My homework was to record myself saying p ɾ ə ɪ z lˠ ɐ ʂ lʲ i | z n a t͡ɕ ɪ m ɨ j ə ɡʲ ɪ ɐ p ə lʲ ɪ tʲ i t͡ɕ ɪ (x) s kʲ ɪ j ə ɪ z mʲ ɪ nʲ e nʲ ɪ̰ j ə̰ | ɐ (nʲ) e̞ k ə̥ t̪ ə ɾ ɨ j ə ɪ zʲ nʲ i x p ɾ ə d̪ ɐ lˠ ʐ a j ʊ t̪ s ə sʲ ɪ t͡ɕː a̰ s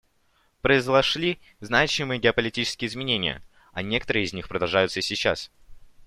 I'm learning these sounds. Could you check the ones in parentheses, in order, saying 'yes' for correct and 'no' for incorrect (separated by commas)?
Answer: no, yes